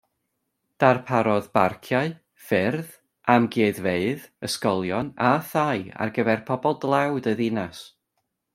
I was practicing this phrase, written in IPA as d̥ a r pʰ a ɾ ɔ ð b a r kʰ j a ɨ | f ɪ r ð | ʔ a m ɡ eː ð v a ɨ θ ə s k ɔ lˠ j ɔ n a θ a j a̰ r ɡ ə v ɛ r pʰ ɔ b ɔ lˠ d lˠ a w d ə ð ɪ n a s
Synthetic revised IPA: d̥ a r pʰ a ɾ ɔ ð b a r kʰ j a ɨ | f ɪ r ð | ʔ a m ɡ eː ð v e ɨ ð ə s k ɔ lˠ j ɔ n a θ a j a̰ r ɡ ə v ɛ r pʰ ɔ b ɔ lˠ d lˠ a w d ə ð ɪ n a s